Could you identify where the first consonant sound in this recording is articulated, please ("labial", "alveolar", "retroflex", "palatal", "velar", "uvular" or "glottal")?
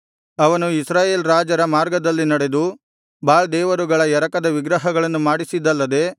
labial